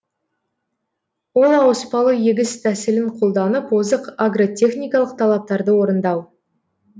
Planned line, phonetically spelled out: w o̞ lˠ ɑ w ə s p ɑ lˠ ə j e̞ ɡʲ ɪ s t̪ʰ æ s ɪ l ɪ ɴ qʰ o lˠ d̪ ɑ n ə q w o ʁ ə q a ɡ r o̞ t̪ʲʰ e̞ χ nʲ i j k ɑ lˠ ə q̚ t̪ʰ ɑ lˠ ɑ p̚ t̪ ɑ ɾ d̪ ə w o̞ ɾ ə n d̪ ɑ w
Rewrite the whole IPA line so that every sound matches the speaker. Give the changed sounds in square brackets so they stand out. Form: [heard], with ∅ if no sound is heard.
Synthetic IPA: w o̞ lˠ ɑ w ə s p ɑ lˠ ə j e̞ ɡʲ ɪ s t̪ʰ æ s ɪ l ɪ ɴ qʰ o lˠ d̪ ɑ n ə [p] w o [z] ə q a ɡ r o̞ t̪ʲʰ e̞ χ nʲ i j k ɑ lˠ ə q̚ t̪ʰ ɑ lˠ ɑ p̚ t̪ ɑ ɾ d̪ ə w o̞ ɾ ə n d̪ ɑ w